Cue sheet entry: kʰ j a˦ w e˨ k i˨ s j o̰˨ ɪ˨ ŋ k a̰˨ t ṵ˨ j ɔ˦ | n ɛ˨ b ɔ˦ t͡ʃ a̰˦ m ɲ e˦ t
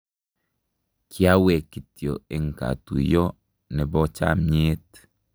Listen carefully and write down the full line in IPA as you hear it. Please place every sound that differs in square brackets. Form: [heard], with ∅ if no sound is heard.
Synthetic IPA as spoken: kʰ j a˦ w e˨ k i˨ [t] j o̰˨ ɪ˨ ŋ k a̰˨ t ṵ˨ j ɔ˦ | n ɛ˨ b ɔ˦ t͡ʃ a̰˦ m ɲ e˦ t